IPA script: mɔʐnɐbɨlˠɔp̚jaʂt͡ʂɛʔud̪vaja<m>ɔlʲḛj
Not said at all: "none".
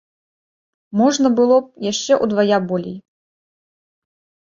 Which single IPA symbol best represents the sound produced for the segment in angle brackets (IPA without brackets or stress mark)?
b